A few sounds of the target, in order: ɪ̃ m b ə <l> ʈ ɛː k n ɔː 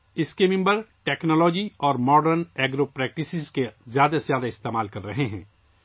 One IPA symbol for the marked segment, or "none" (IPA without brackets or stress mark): ɾ